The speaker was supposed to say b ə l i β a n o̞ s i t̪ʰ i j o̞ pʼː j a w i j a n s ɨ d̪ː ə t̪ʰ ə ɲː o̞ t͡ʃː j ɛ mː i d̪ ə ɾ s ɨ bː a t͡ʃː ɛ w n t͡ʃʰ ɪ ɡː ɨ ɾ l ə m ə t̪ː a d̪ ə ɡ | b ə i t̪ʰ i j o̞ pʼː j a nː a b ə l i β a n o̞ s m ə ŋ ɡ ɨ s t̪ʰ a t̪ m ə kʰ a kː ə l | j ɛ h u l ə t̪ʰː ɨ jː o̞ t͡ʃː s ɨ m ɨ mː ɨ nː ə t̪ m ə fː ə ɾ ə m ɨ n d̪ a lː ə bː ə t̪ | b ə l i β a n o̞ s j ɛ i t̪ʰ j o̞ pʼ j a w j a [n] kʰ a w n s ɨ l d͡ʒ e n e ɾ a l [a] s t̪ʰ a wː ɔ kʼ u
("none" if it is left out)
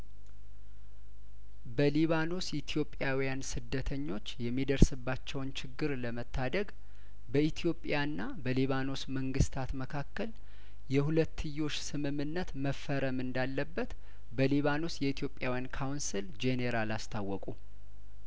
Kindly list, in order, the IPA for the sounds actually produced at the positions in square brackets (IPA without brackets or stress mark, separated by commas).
n, a